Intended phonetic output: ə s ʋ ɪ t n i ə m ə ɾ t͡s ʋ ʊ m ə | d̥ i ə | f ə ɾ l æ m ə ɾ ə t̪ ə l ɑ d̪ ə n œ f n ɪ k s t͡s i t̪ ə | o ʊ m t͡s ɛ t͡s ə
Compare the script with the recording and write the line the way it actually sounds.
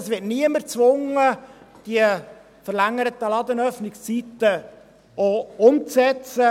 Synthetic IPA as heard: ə s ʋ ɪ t n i ə m ə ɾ t͡s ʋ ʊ ŋ ə | d̥ i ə | f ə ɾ l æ ŋ ə ɾ ə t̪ ə l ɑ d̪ ə n œ f n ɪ k s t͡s i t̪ ə | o ʊ m t͡s ɛ t͡s ə